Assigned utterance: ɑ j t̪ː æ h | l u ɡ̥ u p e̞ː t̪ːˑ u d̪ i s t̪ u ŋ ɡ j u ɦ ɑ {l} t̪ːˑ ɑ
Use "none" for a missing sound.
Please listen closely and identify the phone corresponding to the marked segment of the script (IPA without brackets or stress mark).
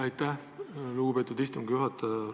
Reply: none